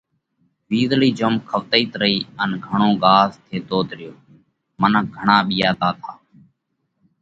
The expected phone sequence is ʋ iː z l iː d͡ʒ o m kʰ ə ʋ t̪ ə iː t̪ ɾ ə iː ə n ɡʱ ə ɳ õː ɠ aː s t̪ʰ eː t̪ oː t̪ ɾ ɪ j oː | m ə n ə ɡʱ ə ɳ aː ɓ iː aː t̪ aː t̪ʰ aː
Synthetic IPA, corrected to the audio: ʋ iː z l iː d͡ʒ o m kʰ ə ʋ t̪ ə iː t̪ ɾ ə iː ə n ɡʱ ə ɳ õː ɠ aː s t̪ʰ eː t̪ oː t̪ ɾ ɪ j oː | m ə n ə ɡʱ ə ɳ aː ɓ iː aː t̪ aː t̪ʰ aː